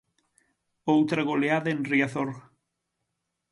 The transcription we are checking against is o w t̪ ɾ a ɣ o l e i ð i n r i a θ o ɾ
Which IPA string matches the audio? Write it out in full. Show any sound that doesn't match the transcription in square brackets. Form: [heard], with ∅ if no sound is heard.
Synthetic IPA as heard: o w t̪ ɾ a ɣ o l e [a] ð [e] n r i a θ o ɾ